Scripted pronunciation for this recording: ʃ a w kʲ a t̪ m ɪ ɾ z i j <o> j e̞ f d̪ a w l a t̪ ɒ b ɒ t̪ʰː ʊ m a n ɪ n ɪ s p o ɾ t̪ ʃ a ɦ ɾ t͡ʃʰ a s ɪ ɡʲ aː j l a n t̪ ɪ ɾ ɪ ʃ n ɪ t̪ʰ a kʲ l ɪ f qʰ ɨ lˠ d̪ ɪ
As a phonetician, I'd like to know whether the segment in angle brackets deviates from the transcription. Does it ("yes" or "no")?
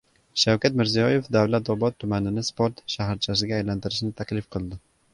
yes